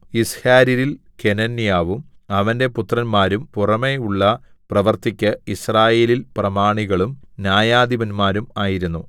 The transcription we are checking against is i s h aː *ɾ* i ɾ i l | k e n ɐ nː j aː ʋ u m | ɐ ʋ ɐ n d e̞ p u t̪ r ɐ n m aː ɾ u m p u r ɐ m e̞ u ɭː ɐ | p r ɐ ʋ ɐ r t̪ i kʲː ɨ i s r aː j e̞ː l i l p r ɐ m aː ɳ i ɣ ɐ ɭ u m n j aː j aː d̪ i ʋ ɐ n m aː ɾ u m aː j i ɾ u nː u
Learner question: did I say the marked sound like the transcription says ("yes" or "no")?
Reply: yes